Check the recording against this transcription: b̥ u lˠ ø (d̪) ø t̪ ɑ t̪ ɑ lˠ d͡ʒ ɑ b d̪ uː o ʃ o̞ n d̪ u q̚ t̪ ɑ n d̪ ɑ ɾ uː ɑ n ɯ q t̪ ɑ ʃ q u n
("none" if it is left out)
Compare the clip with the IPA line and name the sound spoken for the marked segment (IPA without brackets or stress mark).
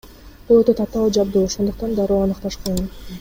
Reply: t̪